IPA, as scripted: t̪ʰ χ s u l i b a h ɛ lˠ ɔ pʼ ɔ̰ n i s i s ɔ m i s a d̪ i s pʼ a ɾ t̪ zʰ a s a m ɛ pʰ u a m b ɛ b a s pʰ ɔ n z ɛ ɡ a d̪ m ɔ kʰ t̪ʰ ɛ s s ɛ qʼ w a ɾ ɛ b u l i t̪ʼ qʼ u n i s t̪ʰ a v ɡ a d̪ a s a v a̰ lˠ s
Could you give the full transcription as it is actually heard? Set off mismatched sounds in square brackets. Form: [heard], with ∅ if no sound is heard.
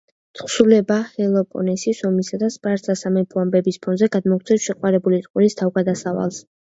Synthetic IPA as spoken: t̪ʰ χ s u l [ɛ] b a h ɛ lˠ ɔ pʼ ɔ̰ n [ɛ] s i s ɔ m i s a d̪ [a] s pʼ a ɾ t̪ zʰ a s a m ɛ pʰ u a m b ɛ b [i] s pʰ ɔ n z ɛ ɡ a d̪ m ɔ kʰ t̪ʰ ɛ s [ʃ] ɛ qʼ w a ɾ ɛ b u l i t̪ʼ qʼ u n i s t̪ʰ a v ɡ a d̪ a s a v a̰ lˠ s